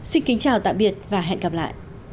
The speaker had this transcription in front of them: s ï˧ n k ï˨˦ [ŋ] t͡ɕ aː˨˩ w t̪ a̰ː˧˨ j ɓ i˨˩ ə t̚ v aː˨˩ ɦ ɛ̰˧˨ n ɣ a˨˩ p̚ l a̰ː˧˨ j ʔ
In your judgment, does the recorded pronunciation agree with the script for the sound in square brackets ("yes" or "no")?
yes